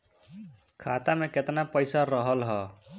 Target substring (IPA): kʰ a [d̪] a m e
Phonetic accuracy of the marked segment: incorrect: t̪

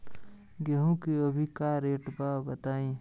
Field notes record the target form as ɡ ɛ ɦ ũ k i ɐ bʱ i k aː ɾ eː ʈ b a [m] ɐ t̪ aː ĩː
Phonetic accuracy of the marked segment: incorrect: b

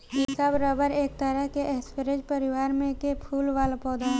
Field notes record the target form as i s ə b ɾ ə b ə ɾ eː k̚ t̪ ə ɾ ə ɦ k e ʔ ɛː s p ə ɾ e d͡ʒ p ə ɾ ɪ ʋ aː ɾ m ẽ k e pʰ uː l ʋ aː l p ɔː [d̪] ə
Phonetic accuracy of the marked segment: correct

